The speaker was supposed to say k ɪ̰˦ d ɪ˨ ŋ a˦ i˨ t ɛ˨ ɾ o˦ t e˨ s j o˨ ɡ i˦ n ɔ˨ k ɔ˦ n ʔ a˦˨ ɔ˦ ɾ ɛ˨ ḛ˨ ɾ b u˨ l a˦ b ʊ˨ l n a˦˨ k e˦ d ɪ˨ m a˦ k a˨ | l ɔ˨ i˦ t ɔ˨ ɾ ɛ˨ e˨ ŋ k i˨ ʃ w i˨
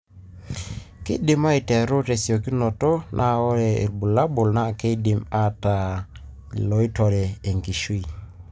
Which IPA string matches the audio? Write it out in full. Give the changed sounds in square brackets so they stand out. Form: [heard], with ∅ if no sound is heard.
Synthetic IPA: k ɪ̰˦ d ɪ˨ [m] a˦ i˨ t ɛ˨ ɾ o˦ t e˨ s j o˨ [k] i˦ n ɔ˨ [t] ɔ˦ n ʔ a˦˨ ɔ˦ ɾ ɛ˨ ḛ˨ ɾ b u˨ l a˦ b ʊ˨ l n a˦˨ k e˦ d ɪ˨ m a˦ [t] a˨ | l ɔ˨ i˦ t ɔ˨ ɾ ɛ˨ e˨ ŋ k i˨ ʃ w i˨